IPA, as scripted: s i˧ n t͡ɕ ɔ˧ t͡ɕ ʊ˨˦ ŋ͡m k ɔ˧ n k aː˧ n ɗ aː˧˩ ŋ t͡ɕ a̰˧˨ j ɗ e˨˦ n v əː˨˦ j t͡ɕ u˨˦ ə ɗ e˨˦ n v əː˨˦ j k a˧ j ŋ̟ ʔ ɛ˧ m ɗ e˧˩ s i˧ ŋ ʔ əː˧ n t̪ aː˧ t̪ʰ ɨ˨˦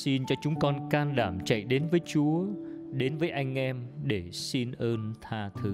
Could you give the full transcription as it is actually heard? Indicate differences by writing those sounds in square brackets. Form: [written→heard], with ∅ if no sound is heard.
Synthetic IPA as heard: s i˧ n t͡ɕ ɔ˧ t͡ɕ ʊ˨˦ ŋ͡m k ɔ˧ n k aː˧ n ɗ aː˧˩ [ŋ→m] t͡ɕ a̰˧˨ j ɗ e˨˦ n v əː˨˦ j t͡ɕ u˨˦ ə ɗ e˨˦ n v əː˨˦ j [k→ʔ] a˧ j ŋ̟ ʔ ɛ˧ m ɗ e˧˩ s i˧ [ŋ→n] ʔ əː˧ n [t̪→t̪ʰ] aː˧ t̪ʰ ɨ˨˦